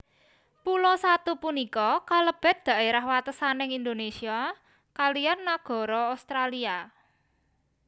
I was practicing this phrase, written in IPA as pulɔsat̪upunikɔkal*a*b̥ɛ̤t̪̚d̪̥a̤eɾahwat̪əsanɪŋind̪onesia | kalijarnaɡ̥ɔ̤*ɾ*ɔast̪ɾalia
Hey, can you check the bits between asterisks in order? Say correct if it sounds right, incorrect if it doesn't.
incorrect: ə, correct

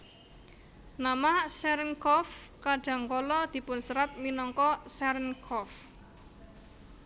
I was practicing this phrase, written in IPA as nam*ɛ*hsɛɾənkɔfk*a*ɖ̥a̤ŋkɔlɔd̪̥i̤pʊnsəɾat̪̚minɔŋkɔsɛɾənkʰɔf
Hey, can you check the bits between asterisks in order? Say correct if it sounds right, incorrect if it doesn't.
incorrect: a, correct

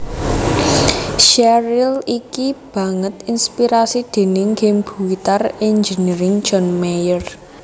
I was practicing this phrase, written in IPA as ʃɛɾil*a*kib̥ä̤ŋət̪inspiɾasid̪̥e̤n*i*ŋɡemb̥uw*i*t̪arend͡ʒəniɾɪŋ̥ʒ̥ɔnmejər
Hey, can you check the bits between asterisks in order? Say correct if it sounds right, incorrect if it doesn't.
incorrect: i, incorrect: ɪ, correct

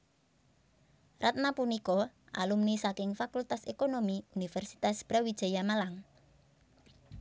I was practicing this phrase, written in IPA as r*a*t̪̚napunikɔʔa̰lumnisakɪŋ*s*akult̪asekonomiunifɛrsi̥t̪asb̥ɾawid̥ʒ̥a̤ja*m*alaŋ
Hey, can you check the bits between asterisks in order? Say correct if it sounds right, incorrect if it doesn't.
correct, incorrect: f, correct

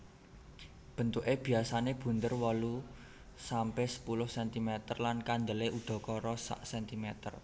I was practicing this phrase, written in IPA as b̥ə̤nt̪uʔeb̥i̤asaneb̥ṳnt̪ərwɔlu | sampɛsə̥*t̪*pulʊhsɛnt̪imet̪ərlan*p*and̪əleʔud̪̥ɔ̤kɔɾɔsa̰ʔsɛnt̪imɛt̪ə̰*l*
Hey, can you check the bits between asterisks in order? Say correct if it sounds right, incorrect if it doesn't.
incorrect: none, incorrect: k, incorrect: r

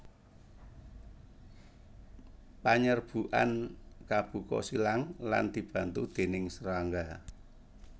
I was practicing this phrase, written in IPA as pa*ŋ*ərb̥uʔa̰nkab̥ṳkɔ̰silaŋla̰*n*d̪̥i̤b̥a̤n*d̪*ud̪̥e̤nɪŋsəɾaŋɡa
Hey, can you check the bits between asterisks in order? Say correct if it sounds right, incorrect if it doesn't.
incorrect: ɲ, correct, incorrect: t̪

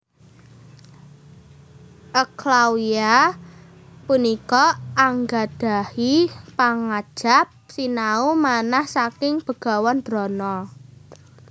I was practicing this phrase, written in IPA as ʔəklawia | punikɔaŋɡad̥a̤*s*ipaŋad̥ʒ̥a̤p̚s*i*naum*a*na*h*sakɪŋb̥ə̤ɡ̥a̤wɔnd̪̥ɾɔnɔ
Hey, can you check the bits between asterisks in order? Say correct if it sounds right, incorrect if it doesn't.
incorrect: h, correct, correct, correct

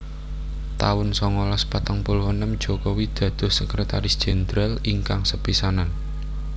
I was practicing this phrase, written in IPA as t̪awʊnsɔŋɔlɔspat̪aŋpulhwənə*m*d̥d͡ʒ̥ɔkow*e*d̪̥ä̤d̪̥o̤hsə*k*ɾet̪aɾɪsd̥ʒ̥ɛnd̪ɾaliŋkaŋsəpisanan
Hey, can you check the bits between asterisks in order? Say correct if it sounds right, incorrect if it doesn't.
correct, incorrect: i, correct

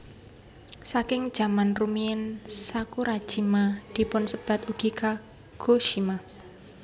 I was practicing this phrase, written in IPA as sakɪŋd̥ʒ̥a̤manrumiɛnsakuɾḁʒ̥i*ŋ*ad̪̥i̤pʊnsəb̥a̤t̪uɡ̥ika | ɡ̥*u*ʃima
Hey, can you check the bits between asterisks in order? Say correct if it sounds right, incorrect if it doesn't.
incorrect: m, incorrect: o

